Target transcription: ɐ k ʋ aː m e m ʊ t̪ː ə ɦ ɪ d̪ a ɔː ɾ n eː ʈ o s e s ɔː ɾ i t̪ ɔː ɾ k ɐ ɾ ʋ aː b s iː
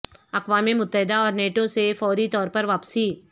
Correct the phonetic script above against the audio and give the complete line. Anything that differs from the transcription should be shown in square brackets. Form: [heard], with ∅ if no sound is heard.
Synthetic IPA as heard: ɐ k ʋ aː m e m ʊ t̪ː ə ɦ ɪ d̪ a ɔː ɾ n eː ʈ o s e [f] ɔː ɾ i t̪ ɔː ɾ [p] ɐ ɾ ʋ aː [p] s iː